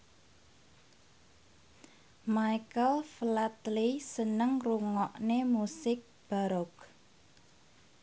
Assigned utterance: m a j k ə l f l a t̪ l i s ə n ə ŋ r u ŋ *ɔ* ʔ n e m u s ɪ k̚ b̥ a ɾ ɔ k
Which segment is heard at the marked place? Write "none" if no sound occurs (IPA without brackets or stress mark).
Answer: ɔ